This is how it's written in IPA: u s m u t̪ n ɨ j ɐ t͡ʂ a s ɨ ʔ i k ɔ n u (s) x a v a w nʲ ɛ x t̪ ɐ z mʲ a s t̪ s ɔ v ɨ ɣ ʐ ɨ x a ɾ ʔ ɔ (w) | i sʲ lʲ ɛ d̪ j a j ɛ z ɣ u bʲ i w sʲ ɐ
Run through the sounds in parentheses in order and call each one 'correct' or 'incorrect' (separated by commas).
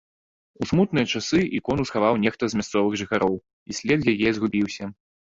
correct, correct